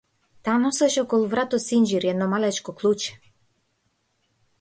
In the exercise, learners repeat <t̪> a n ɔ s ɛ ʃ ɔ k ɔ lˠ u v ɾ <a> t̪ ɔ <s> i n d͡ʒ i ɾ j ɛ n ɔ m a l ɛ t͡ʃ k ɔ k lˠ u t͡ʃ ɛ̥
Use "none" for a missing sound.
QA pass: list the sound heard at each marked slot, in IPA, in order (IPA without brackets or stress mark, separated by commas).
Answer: t̪, a, s